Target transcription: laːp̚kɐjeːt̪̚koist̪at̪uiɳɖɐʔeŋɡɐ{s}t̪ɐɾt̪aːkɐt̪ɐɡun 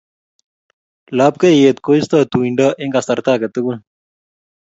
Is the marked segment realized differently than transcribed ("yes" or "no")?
no